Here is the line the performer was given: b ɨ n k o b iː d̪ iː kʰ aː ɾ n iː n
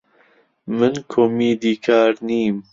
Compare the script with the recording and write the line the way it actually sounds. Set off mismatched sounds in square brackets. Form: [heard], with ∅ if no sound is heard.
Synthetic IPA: [m] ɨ n [kʰ] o [m] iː d̪ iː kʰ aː ɾ n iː [m]